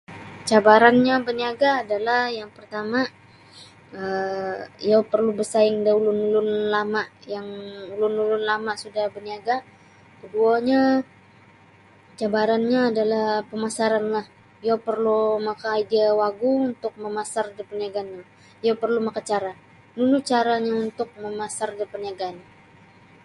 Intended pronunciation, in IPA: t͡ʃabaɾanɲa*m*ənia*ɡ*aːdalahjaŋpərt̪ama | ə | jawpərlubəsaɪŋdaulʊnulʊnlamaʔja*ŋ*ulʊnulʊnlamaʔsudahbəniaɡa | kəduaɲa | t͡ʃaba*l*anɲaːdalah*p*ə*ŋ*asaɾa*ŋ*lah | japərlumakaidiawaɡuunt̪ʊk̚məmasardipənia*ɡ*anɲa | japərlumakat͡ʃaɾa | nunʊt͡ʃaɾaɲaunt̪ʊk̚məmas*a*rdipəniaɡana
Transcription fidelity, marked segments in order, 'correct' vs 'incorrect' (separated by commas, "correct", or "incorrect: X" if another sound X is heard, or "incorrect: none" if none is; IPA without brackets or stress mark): incorrect: b, correct, correct, incorrect: ɾ, correct, incorrect: m, incorrect: n, correct, correct